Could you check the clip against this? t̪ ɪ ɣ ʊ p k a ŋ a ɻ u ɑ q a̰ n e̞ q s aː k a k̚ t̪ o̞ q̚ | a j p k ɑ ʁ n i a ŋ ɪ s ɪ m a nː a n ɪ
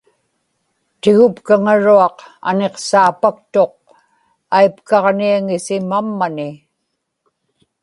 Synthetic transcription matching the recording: t̪ ɪ ɣ ʊ p k a ŋ a ɻ u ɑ q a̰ n e̞ q s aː p a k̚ t̪ o̞ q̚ | a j p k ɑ ʁ n i a ŋ ɪ s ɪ m a mː a n ɪ

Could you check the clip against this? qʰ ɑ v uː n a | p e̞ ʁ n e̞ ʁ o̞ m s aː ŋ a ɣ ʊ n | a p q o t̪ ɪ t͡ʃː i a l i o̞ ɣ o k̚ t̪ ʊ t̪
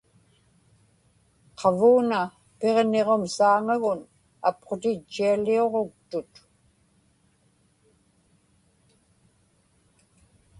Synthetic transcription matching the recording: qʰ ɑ v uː n a | p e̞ ʁ n e̞ ʁ o̞ m s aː ŋ a ɣ ʊ n | a p q o t̪ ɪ t͡ʃː i a l i o̞ ʁ o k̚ t̪ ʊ t̪

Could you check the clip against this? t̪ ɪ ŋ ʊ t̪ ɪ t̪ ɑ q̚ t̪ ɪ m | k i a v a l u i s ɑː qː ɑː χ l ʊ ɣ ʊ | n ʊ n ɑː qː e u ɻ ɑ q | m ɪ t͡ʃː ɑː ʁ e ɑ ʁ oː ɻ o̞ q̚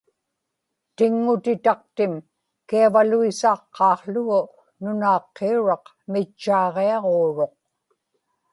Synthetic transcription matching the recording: t̪ ɪ ŋː ʊ t̪ ɪ t̪ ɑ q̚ t̪ ɪ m | k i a v a l u i s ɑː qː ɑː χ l ʊ ɣ ʊ | n ʊ n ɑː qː e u ɻ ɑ q | m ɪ t͡ʃː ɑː ʁ e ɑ ʁ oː ɻ o̞ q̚

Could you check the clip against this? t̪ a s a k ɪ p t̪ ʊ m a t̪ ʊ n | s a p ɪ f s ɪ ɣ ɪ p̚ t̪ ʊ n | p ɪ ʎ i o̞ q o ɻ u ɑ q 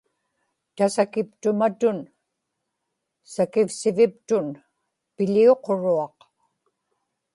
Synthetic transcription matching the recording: t̪ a s a k ɪ p t̪ ʊ m a t̪ ʊ n | s a k ɪ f s ɪ v ɪ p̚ t̪ ʊ n | p ɪ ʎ i o̞ q o ɻ u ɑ q

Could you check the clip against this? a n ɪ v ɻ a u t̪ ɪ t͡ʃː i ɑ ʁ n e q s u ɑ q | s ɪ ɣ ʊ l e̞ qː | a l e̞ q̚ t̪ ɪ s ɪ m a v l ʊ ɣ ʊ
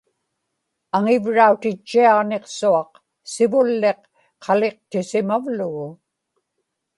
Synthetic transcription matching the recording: a ŋ ɪ v ɻ a u t̪ ɪ t͡ʃː i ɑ ʁ n e q s u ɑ q | s ɪ v ʊ lː e̞ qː | ɑ l e̞ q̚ t̪ ɪ s ɪ m a v l ʊ ɣ ʊ

